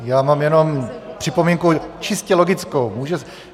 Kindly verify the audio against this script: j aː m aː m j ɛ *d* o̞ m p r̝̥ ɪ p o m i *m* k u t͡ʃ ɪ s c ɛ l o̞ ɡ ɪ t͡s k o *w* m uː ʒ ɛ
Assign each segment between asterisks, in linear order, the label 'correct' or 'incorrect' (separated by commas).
incorrect, incorrect, correct